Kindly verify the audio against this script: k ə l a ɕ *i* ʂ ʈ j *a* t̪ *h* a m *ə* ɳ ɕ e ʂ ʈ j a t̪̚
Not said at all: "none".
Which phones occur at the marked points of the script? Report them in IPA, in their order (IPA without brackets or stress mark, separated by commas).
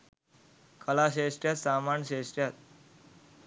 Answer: e, a, s, a